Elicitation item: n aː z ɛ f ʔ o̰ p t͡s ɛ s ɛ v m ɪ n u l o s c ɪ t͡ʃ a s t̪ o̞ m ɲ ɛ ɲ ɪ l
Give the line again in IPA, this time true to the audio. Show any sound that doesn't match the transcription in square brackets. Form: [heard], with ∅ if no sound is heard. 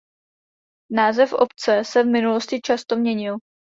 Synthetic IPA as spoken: n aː z ɛ f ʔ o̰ p t͡s ɛ s ɛ v m ɪ n u l o s c ɪ t͡ʃ a s t̪ o̞ m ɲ ɛ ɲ ɪ l